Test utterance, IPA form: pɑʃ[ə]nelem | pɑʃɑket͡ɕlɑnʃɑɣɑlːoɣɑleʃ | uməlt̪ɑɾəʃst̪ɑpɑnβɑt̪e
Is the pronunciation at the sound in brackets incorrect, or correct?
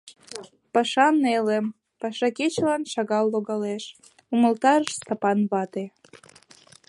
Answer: incorrect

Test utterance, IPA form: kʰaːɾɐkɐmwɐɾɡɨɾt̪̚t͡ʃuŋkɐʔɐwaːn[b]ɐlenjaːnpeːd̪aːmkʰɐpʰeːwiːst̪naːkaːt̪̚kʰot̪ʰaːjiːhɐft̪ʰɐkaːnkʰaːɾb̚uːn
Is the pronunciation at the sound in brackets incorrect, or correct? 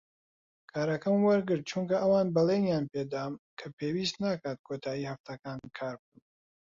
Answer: correct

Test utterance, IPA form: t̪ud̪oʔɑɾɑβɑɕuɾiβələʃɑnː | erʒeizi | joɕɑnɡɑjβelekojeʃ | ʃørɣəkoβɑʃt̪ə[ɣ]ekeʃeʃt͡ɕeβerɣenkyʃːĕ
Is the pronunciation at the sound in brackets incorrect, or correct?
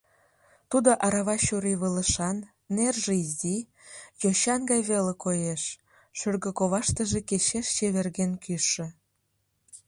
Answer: incorrect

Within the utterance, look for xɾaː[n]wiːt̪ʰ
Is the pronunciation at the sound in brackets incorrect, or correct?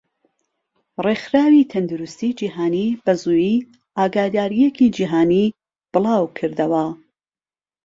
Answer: incorrect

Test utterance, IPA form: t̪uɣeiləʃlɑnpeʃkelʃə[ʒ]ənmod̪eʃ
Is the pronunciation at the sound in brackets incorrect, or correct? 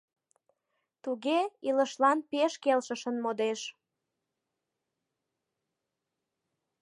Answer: incorrect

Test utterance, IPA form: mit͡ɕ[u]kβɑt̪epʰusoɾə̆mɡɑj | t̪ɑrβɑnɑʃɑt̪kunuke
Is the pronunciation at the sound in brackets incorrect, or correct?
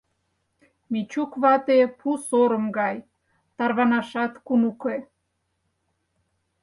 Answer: correct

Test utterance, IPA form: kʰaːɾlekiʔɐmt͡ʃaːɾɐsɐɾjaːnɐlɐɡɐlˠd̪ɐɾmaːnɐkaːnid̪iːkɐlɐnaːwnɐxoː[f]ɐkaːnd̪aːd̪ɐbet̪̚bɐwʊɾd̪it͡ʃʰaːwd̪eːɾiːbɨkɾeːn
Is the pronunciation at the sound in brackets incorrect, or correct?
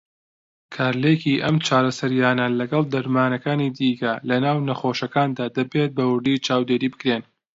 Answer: incorrect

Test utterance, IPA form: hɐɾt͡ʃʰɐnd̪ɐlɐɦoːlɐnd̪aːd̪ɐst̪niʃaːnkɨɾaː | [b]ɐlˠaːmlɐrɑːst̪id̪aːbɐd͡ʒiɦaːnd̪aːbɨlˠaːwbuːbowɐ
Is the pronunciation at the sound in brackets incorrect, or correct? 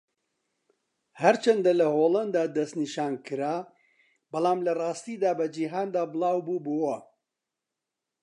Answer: correct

